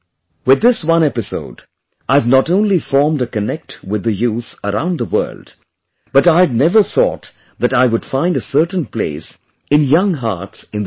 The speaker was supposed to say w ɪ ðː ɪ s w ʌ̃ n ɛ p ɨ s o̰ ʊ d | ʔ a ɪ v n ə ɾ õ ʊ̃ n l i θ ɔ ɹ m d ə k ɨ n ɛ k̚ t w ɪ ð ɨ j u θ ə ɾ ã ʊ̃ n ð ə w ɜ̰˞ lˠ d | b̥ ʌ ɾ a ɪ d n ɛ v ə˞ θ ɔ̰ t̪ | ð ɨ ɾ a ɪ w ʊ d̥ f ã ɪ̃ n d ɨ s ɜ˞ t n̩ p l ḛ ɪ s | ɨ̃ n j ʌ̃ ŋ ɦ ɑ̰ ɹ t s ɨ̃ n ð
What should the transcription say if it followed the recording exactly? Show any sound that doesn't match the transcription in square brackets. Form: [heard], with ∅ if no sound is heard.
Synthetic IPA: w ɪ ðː ɪ s w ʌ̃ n ɛ p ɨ s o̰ ʊ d | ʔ a ɪ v n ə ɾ õ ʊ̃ n l i [f] ɔ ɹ m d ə k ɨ n ɛ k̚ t w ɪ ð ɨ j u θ ə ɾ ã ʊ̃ n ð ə w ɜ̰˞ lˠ d | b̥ ʌ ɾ a ɪ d n ɛ v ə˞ θ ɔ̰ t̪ | ð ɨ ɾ a ɪ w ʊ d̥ f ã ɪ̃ n d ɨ s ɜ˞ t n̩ p l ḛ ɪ s | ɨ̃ n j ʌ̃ ŋ ɦ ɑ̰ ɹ t s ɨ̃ n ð